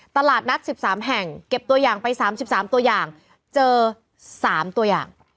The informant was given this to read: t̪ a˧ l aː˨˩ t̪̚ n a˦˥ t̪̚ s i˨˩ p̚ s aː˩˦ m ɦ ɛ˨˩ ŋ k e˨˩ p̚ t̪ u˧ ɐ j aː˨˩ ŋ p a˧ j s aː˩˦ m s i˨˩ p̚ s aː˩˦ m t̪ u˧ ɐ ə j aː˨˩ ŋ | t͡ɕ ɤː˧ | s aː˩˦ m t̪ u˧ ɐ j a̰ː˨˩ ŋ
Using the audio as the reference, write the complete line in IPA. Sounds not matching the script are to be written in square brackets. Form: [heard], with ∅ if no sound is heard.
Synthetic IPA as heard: t̪ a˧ l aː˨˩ t̪̚ n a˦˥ t̪̚ s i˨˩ p̚ s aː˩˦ m ɦ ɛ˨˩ ŋ k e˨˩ p̚ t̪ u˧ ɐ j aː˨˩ ŋ p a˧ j s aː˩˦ m s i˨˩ p̚ s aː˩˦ m t̪ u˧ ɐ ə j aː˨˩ ŋ | t͡ɕ ɤː˧ | s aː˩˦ m t̪ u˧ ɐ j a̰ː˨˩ ŋ